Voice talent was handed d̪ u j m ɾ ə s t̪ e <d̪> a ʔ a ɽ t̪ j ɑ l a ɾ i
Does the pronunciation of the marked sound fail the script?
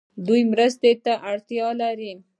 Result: yes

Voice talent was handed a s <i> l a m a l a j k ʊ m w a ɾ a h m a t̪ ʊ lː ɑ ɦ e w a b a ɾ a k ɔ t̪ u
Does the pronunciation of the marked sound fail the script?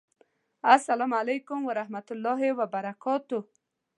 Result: yes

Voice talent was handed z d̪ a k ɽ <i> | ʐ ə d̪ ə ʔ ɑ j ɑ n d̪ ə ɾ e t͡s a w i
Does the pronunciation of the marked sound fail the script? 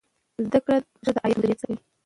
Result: yes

